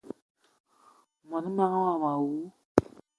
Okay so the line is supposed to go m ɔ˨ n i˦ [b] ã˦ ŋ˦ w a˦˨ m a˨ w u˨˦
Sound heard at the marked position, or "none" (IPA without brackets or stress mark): m